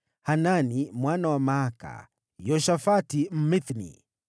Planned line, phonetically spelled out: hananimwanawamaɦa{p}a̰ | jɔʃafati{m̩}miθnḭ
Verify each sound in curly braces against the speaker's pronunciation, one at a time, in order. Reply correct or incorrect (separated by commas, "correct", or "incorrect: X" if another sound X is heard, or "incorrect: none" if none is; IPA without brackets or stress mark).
incorrect: k, correct